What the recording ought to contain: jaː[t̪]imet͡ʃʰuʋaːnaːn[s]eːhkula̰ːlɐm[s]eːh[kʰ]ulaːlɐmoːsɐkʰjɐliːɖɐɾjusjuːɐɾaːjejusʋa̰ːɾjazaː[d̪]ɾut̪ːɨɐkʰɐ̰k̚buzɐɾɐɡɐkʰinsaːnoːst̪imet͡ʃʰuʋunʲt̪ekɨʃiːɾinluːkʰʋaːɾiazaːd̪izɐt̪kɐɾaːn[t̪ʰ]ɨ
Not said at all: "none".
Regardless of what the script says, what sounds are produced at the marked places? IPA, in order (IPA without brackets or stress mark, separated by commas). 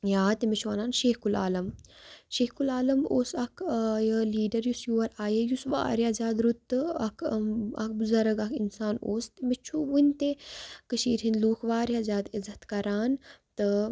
t̪, ʃ, ʃ, k, d̪, t̪